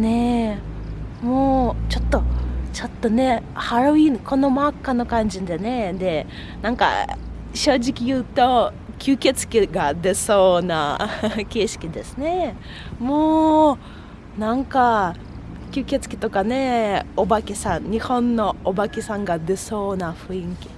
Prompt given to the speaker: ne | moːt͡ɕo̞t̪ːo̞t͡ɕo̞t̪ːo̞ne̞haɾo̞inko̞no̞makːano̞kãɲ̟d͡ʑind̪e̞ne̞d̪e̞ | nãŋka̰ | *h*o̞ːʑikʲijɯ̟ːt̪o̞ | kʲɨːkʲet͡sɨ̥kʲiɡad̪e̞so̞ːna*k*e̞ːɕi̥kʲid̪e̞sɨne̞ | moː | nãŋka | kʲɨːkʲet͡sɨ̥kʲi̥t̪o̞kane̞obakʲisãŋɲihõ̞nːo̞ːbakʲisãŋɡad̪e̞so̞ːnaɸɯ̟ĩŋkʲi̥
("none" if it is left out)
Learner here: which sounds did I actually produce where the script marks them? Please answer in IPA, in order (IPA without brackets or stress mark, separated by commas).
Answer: ɕ, k